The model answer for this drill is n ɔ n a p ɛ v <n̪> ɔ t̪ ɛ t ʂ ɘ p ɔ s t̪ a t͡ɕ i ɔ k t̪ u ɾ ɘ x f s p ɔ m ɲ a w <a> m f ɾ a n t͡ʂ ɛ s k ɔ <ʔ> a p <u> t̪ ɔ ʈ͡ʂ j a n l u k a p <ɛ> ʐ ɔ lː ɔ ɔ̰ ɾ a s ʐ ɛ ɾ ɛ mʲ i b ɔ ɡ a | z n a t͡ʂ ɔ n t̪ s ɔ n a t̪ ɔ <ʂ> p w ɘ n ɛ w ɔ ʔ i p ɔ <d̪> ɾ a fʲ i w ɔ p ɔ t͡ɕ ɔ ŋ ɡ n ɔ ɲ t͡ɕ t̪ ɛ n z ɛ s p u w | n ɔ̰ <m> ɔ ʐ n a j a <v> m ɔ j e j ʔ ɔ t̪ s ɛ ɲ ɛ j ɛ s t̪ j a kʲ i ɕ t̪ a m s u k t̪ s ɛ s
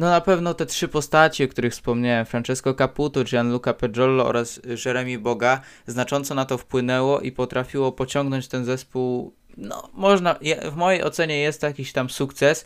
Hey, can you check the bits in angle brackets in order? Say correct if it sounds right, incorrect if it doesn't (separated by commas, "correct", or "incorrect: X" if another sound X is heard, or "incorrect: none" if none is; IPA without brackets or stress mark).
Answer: correct, incorrect: ɛ, incorrect: k, correct, correct, incorrect: f, incorrect: t̪, correct, correct